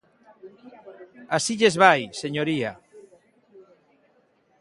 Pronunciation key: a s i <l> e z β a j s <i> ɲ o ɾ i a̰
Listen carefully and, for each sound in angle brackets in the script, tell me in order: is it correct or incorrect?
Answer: incorrect, incorrect

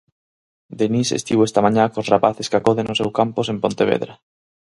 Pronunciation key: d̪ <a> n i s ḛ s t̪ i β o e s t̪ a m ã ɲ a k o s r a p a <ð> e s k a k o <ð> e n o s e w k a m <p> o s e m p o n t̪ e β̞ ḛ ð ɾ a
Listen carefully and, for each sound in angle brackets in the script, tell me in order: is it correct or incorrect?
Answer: incorrect, incorrect, correct, correct

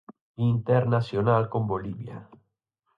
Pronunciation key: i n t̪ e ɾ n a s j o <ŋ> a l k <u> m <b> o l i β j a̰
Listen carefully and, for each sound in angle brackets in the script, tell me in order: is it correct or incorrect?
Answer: incorrect, incorrect, correct

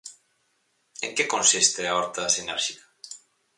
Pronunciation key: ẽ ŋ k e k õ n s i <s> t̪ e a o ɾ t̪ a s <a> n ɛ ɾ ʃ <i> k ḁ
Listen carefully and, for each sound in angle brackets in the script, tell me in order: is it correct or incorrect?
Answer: correct, incorrect, correct

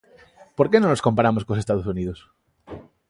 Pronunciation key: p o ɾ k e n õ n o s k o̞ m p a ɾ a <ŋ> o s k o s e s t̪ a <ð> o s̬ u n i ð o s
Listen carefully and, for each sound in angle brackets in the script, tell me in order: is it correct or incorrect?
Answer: incorrect, correct

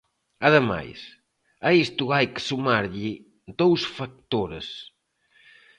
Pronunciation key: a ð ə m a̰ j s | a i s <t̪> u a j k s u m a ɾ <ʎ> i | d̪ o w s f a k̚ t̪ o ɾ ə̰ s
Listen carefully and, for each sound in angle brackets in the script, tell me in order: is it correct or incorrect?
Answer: correct, correct

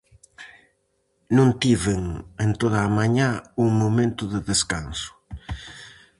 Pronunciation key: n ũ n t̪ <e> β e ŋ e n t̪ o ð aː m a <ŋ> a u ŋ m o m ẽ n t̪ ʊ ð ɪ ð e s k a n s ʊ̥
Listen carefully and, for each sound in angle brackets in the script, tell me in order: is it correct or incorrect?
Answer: incorrect, incorrect

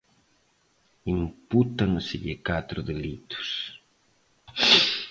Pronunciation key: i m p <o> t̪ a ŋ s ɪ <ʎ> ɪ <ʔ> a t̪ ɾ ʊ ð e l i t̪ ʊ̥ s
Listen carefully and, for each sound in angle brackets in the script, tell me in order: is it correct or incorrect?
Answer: incorrect, correct, incorrect

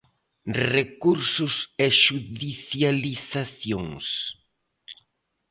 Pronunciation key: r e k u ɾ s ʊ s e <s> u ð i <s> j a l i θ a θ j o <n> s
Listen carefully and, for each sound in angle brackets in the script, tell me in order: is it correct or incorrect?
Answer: incorrect, incorrect, incorrect

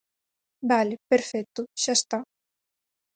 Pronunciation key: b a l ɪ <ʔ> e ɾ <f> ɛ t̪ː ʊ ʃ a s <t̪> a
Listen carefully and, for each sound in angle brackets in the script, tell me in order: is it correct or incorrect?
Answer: incorrect, correct, correct

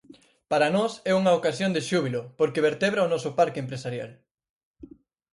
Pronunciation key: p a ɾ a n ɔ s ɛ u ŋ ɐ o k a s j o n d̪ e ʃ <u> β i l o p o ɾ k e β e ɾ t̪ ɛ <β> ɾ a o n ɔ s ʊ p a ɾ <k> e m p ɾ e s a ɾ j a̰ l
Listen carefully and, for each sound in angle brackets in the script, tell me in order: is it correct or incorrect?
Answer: correct, correct, correct

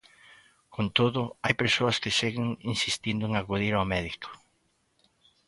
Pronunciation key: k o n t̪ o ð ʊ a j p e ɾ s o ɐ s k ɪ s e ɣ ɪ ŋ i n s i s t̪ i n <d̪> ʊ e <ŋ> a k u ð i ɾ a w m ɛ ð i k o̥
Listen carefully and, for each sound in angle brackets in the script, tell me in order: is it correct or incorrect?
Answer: correct, correct

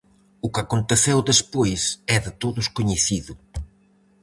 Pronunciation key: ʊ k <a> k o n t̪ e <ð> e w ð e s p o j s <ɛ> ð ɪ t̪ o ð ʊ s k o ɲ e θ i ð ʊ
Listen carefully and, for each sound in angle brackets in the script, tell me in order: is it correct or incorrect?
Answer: correct, incorrect, correct

